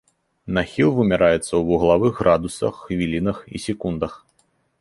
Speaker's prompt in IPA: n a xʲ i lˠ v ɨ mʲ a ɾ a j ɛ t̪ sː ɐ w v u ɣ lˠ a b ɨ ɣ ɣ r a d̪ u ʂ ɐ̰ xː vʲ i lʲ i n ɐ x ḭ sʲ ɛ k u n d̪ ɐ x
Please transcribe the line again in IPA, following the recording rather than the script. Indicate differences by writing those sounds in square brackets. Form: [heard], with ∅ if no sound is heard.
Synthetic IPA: n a xʲ i lˠ v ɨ mʲ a ɾ a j ɛ t̪ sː ɐ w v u ɣ lˠ a [v] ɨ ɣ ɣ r a d̪ u [s] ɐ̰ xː vʲ i lʲ i n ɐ x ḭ sʲ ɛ k u n d̪ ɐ x